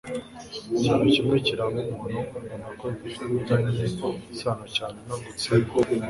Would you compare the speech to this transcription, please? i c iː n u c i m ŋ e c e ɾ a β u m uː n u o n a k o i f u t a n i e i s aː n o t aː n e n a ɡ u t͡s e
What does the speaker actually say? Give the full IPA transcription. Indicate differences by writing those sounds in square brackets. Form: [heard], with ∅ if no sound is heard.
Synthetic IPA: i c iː n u c i m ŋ e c [i] ɾ a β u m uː n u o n a k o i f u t a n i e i s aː n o [c] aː n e n a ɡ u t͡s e